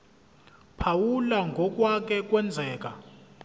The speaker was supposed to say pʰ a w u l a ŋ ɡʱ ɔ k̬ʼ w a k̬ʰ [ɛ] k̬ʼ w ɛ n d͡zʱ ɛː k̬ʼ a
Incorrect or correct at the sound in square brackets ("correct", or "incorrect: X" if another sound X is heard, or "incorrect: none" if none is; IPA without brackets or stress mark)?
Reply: correct